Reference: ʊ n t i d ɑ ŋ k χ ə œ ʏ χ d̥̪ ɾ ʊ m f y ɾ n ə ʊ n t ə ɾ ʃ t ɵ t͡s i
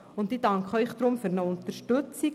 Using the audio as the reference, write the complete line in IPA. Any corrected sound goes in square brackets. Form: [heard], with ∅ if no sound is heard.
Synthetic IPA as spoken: ʊ n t i d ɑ ŋ k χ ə œ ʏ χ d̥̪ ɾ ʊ m f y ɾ n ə ʊ n t ə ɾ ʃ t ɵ t͡s i